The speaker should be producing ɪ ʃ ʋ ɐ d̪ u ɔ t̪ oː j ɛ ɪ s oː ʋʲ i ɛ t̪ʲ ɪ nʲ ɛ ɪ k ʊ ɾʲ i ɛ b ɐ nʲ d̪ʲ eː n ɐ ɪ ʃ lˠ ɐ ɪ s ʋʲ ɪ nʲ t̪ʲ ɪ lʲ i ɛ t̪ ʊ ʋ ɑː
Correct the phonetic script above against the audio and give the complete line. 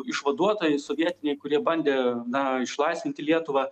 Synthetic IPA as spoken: ɪ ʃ ʋ ɐ d̪ u ɔ t̪ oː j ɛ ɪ s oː ʋʲ i ɛ t̪ʲ ɪ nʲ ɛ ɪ k ʊ ɾʲ i ɛ b ɐ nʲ d̪ʲ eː n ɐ ɪ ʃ lˠ ɐ ɪ s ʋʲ ɪ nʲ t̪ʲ ɪ lʲ i ɛ t̪ ʊ ʋ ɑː